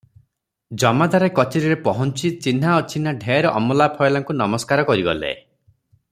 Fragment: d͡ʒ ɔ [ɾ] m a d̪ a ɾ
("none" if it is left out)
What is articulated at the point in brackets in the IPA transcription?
none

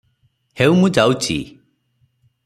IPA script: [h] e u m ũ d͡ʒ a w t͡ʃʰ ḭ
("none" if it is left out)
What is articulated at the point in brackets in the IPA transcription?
h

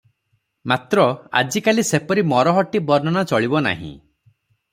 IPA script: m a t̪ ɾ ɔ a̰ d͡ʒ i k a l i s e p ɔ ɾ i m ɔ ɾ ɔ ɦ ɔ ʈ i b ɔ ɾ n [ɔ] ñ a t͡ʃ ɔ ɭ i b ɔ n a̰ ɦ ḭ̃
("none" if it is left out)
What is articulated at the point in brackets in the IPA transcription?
ɔ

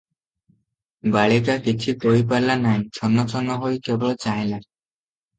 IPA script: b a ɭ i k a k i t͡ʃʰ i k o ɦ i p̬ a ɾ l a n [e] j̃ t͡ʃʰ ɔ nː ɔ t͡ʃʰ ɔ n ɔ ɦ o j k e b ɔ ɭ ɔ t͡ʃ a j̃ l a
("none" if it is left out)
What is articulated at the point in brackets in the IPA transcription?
a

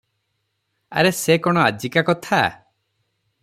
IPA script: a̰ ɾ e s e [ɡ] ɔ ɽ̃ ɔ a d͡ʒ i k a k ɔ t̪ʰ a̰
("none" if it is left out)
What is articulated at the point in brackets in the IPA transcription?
k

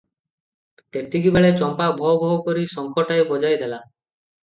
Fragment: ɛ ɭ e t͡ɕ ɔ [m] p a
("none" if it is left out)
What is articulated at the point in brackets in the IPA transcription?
m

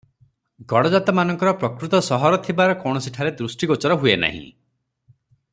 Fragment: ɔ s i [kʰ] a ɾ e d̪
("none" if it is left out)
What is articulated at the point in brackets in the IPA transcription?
ʈʰ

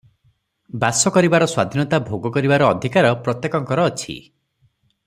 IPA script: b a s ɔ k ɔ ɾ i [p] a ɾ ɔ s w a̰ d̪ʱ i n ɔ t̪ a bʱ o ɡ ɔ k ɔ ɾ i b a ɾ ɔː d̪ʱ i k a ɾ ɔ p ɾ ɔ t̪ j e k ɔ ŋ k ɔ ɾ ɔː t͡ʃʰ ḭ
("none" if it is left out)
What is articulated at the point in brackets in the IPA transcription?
b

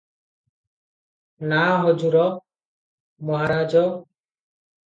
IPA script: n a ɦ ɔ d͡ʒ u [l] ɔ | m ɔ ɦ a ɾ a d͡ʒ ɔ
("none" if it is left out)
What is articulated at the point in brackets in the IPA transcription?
ɾ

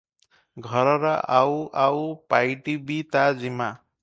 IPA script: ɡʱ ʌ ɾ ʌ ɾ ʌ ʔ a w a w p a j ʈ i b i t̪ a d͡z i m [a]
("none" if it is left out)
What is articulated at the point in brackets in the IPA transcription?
a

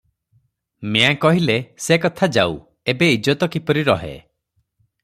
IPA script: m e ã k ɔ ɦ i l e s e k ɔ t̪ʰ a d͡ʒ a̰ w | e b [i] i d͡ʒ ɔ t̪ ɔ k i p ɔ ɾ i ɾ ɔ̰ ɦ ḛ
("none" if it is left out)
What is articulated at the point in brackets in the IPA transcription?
e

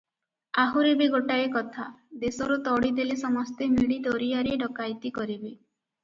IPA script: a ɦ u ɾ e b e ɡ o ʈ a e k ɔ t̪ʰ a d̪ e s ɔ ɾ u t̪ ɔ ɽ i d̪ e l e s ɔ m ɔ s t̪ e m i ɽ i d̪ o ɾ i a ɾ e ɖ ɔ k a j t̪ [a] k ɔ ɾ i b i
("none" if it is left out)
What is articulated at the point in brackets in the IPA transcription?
i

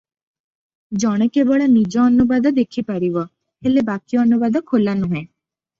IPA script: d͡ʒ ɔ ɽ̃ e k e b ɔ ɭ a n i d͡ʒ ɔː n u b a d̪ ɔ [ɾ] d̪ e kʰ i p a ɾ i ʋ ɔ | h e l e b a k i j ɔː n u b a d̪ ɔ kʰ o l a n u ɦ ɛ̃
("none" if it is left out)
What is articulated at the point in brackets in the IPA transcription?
none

